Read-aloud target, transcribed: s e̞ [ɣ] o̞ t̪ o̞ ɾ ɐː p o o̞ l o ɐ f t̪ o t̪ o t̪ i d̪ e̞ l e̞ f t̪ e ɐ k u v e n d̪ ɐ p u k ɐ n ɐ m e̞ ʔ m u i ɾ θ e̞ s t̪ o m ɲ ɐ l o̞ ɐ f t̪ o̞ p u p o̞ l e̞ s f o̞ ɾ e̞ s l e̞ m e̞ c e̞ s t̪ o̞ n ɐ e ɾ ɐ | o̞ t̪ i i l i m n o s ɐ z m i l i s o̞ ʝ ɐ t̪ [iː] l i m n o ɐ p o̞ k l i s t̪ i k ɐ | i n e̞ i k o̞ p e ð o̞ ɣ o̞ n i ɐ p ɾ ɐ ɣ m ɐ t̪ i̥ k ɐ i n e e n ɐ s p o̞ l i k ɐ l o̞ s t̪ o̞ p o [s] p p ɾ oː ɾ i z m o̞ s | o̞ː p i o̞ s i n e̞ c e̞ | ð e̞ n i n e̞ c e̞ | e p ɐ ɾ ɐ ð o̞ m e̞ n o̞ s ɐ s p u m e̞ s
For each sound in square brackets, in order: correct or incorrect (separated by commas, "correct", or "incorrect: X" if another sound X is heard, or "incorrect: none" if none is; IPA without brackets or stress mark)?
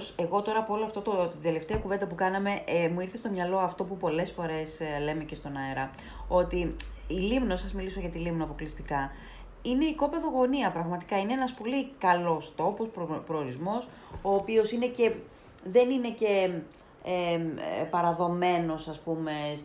correct, incorrect: i, correct